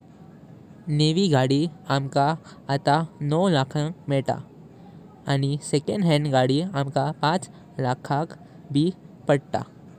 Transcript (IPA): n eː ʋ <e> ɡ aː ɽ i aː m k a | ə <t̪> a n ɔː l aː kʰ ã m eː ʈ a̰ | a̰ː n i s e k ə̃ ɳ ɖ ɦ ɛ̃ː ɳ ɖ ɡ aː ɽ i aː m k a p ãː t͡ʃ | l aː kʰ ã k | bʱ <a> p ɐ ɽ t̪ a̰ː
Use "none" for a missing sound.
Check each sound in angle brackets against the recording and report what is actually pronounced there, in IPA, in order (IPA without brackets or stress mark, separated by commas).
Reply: i, t̪, i